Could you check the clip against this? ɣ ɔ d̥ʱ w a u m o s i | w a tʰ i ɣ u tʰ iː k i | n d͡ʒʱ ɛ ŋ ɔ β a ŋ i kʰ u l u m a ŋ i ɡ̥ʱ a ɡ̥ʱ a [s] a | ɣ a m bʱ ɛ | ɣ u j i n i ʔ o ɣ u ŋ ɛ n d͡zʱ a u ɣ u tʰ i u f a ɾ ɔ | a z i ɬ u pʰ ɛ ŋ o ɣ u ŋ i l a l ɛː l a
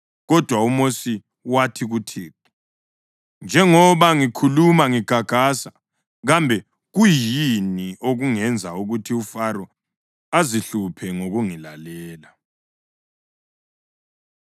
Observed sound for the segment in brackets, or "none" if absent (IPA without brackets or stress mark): s